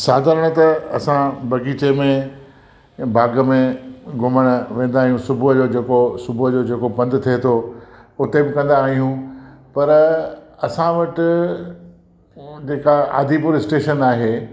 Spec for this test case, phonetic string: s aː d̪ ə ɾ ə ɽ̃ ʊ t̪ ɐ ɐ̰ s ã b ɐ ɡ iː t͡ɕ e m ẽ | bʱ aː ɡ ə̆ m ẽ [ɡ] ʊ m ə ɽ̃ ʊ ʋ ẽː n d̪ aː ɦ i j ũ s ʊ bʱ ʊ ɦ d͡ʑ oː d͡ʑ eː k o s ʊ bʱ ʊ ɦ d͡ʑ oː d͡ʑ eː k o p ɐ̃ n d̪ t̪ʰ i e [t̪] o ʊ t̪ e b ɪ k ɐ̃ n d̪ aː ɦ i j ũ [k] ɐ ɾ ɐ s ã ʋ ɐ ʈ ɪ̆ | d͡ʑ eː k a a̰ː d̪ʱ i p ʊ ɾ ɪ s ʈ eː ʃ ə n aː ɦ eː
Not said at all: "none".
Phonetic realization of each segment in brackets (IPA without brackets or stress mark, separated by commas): ɡ, t̪ʰ, p